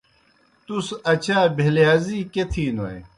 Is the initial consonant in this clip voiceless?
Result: yes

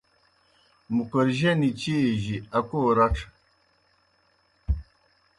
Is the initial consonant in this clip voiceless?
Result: no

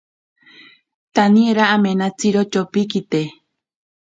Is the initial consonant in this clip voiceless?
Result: yes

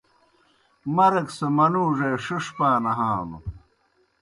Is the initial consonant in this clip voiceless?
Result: no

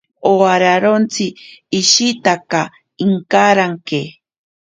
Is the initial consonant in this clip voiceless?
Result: no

